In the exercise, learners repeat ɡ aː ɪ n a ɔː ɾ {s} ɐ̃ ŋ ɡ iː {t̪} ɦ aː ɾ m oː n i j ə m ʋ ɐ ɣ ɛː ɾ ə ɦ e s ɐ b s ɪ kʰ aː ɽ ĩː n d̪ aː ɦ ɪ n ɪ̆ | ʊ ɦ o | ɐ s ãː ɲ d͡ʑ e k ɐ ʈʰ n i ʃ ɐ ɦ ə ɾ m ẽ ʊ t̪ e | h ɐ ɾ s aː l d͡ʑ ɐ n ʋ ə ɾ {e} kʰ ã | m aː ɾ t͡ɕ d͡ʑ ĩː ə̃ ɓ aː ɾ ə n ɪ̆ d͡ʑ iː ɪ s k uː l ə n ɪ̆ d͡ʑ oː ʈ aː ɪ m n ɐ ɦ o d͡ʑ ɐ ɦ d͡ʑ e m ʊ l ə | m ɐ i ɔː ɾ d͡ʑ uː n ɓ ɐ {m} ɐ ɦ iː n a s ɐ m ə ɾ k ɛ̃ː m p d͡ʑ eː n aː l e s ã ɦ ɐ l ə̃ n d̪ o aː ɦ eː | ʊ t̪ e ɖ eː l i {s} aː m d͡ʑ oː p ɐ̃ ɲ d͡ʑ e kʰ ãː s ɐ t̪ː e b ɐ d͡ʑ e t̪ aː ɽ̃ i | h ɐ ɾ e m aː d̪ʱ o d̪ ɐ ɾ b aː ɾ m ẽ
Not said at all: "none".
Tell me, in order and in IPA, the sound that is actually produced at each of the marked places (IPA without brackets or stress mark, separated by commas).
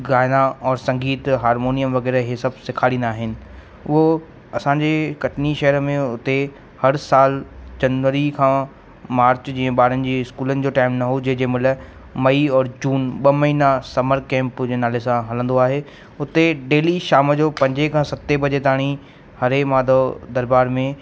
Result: s, t̪, i, m, ʃ